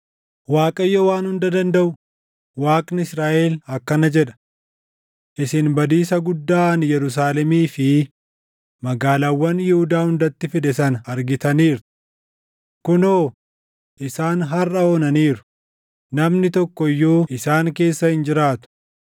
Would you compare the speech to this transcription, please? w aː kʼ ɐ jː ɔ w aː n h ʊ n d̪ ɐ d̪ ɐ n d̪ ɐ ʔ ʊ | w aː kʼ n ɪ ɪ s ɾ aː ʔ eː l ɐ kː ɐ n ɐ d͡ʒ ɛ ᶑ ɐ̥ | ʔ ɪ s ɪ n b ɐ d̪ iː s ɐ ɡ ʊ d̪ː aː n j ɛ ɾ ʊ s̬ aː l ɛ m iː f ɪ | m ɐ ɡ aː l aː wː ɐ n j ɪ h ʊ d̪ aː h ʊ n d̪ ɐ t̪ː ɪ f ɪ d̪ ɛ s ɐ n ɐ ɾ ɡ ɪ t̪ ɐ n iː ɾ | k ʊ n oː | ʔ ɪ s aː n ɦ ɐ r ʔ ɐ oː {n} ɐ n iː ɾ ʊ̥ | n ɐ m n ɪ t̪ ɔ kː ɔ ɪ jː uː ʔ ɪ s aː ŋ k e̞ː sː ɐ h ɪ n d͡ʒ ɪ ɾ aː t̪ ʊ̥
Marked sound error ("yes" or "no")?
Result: no